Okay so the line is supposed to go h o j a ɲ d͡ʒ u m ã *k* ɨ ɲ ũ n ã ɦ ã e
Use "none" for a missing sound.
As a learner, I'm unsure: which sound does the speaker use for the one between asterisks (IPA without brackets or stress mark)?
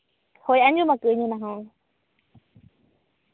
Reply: k